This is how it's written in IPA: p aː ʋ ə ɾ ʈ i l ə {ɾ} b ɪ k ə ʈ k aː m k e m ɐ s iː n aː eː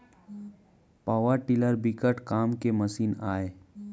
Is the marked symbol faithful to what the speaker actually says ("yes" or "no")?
yes